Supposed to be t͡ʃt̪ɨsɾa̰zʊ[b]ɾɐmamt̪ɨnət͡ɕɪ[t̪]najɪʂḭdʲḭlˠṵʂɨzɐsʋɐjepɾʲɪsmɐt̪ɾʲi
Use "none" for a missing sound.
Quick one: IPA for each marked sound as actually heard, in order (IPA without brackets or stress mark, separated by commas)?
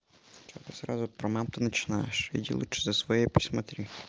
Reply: p, none